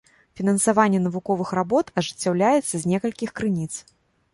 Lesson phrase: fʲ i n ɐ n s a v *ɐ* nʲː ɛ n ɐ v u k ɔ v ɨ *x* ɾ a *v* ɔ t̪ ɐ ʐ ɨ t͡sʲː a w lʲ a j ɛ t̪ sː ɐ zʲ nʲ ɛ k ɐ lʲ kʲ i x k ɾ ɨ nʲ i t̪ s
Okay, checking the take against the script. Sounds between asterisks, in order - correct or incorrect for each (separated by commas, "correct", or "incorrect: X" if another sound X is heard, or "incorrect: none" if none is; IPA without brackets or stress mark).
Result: incorrect: a, correct, incorrect: b